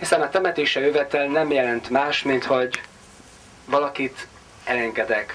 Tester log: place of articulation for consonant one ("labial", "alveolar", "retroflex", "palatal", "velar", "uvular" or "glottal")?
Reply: glottal